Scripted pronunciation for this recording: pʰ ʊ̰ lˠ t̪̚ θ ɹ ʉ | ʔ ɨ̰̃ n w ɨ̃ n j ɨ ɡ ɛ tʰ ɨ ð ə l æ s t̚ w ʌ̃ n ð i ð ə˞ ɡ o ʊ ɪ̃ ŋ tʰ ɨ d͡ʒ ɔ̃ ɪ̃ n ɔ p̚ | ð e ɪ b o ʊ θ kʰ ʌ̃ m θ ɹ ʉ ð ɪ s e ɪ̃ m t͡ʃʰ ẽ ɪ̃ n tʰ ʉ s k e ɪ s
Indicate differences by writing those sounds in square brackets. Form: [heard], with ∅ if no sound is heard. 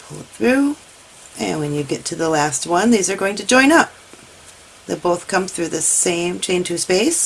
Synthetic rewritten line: pʰ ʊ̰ lˠ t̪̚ θ ɹ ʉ | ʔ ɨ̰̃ n w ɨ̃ n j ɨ ɡ ɛ tʰ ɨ ð ə l æ s t̚ w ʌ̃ n ð i [z] ə˞ ɡ o ʊ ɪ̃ ŋ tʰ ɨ d͡ʒ ɔ̃ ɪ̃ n [ʌ] p̚ | ð e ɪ b o ʊ θ kʰ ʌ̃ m θ ɹ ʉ ð ɪ s [ẽ] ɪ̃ m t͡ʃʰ ẽ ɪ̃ n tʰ ʉ s [p] e ɪ s